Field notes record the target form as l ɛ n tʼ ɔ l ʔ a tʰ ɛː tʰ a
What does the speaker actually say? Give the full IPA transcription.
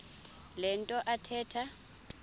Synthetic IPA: l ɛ n tʼ ɔ ʔ a tʰ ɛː tʰ a